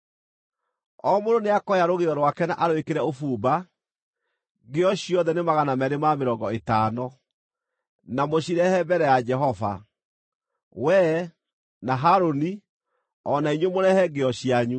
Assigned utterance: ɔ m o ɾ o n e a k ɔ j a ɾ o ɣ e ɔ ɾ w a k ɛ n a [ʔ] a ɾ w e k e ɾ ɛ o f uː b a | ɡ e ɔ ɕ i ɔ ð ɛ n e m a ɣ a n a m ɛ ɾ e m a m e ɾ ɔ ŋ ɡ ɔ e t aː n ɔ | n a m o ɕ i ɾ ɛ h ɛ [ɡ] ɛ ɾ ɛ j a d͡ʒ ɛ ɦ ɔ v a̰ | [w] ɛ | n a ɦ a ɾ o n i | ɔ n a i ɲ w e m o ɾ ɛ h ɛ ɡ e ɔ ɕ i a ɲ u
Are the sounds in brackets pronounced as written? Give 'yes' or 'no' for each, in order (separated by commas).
yes, no, yes